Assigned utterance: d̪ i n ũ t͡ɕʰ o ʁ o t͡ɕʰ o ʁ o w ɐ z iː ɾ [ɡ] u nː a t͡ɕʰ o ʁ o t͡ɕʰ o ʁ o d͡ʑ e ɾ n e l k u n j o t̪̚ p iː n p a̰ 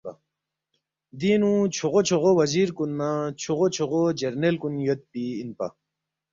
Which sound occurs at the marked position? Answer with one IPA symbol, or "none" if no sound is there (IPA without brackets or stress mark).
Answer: k